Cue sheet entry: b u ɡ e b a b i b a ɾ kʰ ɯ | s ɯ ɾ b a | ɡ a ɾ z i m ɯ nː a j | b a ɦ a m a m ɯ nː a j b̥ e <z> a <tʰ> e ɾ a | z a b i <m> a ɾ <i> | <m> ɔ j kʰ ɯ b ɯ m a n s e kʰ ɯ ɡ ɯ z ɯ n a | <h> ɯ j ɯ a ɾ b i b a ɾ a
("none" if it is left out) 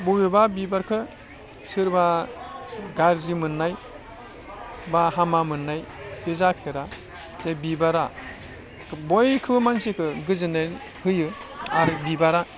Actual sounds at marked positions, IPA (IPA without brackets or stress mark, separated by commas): z, pʰ, b, a, b, h